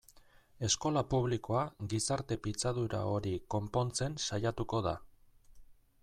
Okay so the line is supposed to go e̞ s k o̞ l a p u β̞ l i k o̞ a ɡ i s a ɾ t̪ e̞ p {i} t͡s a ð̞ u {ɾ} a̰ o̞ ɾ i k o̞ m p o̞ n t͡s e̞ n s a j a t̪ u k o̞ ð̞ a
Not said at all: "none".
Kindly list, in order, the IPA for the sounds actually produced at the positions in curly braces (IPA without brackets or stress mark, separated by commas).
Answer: i, ɾ